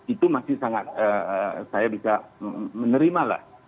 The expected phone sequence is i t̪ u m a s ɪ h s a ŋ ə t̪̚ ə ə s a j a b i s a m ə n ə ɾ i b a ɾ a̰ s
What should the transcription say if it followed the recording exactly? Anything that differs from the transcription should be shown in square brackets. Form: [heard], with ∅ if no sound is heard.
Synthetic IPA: i t̪ u m a s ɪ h s a ŋ [a] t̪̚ ə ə s a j a b i s a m ə n ə ɾ i [m] a [l] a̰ [h]